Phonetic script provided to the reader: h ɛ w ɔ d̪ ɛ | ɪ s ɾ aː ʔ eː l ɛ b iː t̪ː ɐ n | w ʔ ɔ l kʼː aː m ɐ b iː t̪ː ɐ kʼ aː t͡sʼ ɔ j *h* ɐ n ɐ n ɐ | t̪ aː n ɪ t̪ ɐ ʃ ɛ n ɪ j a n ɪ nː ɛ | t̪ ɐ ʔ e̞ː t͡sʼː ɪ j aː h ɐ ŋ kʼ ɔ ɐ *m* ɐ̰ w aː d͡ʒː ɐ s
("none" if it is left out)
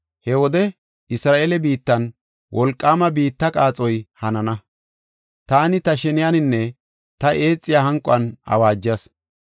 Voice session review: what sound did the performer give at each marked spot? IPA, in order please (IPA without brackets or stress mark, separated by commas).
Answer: h, n